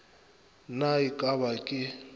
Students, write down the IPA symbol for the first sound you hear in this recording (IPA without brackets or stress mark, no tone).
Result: n